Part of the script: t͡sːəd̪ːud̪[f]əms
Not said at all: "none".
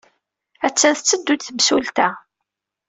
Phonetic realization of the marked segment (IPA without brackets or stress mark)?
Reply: θ